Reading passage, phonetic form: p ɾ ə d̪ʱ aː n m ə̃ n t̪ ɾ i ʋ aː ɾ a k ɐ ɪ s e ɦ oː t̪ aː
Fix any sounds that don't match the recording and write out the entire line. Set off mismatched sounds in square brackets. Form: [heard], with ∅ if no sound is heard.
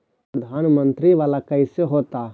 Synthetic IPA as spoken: p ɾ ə d̪ʱ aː n m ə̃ n t̪ ɾ i ʋ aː [l] a k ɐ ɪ s e ɦ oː t̪ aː